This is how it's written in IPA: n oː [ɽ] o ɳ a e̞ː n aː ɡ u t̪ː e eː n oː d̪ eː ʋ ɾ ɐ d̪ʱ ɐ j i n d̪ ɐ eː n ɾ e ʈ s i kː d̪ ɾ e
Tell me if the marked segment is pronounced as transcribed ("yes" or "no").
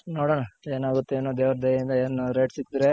yes